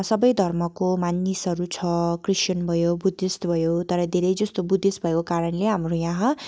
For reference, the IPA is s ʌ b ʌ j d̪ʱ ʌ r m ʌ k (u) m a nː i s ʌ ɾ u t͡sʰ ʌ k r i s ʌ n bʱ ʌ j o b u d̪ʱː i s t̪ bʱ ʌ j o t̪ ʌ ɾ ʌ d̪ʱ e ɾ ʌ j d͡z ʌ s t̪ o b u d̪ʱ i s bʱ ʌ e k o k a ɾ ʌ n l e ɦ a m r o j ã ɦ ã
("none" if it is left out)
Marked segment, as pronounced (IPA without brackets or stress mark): o